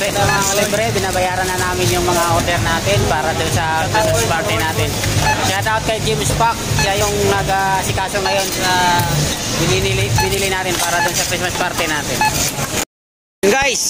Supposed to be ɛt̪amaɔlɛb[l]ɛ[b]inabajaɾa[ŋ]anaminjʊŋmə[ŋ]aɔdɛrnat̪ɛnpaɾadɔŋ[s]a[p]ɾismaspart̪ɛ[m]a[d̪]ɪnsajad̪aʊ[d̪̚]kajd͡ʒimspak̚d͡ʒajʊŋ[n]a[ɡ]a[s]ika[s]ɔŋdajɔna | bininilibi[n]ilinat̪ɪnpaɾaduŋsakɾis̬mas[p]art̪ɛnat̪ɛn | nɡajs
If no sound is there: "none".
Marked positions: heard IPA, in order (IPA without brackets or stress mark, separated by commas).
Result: ɾ, b, n, ŋ, s, k, n, t̪, t̪̚, n, ɡ, s, s, n, p